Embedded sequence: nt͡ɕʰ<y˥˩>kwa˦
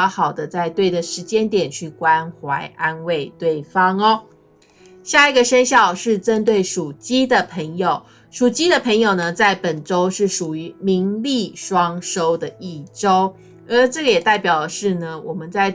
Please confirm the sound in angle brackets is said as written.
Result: yes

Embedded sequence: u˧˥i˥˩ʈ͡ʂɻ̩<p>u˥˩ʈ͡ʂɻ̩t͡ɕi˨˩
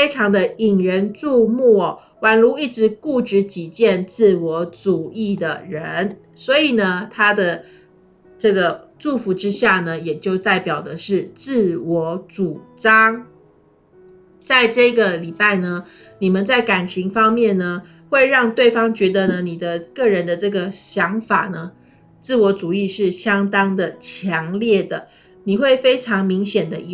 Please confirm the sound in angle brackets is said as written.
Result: no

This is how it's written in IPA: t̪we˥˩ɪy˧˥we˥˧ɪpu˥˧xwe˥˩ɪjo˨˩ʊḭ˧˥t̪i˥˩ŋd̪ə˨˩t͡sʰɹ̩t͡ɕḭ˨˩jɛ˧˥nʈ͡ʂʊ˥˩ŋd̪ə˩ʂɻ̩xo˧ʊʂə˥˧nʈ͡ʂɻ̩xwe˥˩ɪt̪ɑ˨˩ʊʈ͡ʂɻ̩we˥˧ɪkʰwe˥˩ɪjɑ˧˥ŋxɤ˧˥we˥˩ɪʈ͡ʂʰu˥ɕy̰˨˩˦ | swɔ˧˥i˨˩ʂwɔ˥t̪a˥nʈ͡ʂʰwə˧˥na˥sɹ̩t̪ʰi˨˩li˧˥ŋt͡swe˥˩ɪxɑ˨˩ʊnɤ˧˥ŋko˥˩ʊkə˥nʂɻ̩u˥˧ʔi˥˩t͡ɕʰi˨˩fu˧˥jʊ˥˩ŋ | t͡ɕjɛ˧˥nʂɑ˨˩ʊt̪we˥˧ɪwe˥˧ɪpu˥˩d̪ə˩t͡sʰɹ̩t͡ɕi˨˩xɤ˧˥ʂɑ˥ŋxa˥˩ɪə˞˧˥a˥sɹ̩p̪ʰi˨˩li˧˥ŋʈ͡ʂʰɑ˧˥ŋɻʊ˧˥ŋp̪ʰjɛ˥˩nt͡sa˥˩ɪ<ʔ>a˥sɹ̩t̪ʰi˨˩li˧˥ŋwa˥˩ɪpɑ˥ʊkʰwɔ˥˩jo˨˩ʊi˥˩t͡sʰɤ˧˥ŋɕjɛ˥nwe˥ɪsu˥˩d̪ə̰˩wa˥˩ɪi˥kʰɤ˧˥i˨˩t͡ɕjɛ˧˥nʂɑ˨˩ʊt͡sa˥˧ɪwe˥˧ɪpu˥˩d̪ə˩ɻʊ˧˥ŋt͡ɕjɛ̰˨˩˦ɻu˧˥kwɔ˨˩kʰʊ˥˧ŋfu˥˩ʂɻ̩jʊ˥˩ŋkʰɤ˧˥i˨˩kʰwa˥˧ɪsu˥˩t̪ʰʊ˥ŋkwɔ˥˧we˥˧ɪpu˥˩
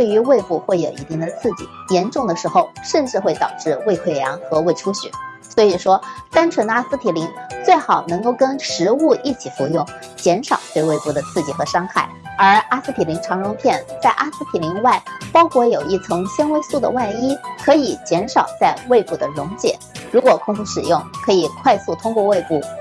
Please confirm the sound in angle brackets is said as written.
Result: yes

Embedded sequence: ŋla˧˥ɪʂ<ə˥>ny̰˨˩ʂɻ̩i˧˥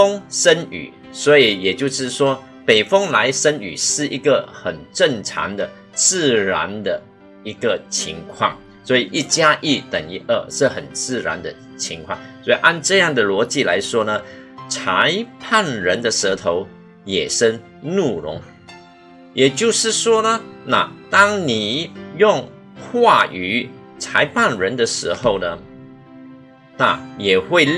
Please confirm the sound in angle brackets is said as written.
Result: yes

